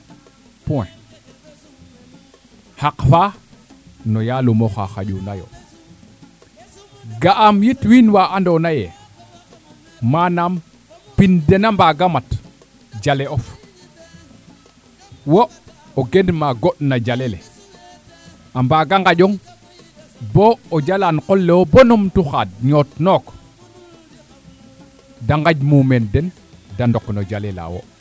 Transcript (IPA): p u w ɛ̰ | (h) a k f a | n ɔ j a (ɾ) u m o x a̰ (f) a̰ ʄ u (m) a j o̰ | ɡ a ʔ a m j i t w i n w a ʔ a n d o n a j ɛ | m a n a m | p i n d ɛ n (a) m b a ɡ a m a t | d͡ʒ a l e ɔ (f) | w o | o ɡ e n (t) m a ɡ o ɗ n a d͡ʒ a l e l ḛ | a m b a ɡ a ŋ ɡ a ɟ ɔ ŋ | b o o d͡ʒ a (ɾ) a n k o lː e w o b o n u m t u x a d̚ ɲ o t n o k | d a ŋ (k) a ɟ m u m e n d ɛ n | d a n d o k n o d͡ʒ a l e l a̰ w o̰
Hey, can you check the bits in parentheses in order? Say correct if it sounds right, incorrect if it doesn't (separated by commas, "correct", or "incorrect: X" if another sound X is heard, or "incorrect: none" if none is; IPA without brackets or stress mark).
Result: correct, incorrect: l, incorrect: x, incorrect: n, correct, correct, incorrect: d, incorrect: l, incorrect: ɡ